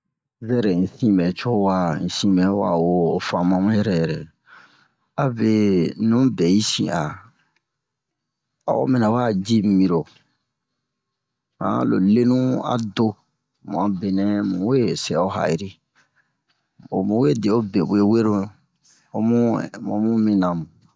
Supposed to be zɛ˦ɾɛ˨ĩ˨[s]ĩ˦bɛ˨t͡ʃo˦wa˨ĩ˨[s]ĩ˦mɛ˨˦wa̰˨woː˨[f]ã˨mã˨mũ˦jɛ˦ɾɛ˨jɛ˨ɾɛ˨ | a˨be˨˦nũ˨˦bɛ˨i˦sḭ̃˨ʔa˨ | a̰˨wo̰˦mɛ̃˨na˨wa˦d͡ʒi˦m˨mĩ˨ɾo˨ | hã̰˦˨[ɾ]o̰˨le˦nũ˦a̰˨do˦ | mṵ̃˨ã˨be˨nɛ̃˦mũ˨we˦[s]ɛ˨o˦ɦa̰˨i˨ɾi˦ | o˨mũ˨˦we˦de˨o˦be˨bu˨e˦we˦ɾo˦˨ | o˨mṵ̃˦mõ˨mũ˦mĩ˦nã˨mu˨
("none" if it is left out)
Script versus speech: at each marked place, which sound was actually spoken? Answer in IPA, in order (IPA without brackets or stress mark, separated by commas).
s, s, f, l, s